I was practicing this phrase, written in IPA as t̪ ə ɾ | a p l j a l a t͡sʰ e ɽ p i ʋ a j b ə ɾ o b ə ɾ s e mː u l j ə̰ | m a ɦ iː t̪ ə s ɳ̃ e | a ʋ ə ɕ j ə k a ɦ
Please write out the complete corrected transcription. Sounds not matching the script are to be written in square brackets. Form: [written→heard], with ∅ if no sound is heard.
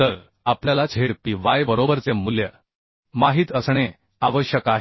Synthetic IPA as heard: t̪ ə ɾ | a p l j a l a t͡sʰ e ɽ p i ʋ a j b ə ɾ o b ə ɾ [s→t͡s] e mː u l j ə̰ | m a ɦ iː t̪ ə s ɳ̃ e | a ʋ ə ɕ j ə k a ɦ